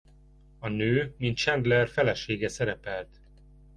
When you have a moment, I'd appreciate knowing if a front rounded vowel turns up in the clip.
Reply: yes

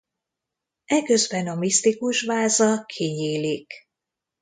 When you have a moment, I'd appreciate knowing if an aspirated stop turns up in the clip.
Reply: yes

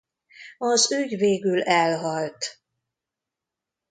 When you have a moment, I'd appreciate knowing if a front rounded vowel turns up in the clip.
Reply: yes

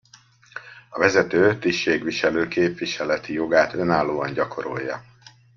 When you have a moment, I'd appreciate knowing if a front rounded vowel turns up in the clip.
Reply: yes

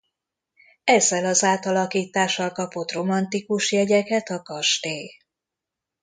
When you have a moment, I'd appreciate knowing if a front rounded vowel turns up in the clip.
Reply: no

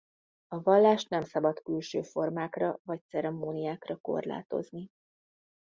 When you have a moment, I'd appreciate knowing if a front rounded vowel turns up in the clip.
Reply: yes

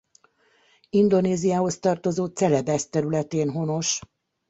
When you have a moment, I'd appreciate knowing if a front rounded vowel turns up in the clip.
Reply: yes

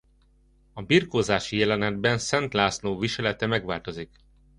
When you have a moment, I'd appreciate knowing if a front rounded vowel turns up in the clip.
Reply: no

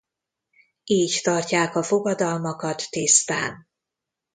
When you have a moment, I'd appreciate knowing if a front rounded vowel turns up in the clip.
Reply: no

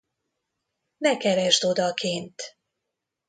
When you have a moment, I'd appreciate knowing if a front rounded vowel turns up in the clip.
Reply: no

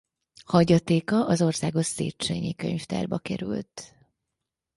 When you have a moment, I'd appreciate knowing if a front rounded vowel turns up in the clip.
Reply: yes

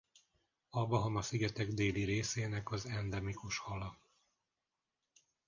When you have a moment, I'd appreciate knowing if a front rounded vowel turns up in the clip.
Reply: no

